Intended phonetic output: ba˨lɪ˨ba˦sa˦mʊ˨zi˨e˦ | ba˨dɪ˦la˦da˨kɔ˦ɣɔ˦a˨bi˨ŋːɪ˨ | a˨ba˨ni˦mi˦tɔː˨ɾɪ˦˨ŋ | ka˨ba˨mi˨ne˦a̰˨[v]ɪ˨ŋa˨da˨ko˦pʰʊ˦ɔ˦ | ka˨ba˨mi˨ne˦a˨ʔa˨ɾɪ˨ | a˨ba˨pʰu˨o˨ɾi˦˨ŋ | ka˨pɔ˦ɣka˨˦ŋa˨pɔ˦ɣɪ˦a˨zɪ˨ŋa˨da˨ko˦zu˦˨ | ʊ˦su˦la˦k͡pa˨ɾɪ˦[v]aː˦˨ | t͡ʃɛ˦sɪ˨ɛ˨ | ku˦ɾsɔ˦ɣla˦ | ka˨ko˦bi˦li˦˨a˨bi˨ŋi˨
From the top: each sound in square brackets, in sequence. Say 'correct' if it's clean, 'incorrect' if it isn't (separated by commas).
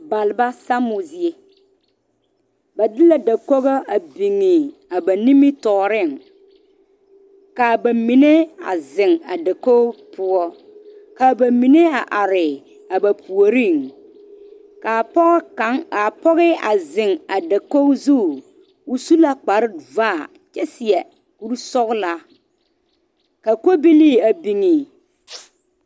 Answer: incorrect, correct